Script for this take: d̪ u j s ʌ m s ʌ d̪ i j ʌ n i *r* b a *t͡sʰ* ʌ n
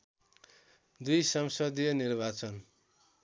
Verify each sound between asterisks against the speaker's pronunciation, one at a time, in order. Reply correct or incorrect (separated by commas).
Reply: correct, incorrect